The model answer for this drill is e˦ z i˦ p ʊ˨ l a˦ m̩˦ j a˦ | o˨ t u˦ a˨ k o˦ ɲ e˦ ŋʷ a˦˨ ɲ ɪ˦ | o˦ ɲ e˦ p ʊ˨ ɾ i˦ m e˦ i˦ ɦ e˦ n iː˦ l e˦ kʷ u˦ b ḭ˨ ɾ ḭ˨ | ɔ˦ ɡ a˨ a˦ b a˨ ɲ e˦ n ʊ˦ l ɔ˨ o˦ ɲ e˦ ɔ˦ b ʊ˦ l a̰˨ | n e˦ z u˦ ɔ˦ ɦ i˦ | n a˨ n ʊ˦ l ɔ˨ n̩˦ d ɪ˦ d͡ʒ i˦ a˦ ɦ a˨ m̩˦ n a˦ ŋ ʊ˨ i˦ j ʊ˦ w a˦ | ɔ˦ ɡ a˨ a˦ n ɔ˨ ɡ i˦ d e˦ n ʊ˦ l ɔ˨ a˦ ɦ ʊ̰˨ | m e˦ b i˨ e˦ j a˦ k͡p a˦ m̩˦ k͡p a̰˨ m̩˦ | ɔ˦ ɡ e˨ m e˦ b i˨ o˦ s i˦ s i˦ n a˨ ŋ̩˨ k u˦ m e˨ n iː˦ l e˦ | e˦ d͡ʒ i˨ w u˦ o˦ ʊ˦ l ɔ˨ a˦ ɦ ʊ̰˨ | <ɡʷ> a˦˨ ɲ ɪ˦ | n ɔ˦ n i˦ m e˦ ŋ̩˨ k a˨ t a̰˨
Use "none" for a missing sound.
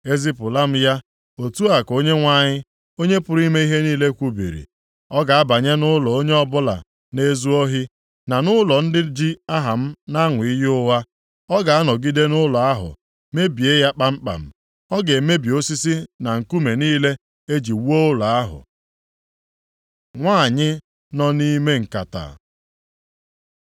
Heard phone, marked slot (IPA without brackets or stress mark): ŋʷ